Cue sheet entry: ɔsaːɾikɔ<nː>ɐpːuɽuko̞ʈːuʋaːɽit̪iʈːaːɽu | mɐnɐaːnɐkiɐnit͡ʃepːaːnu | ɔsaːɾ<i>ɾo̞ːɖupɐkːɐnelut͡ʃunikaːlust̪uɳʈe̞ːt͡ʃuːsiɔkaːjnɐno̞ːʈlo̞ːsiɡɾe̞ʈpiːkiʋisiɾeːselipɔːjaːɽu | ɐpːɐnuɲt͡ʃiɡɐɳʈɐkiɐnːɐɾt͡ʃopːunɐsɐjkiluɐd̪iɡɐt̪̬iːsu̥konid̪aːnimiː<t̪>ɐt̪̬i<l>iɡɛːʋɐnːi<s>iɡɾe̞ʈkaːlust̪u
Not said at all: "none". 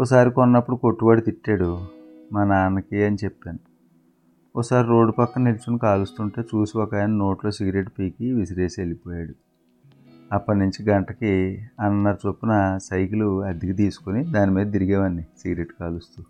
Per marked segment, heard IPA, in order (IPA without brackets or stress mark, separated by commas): nː, i, d̪, ɾ, s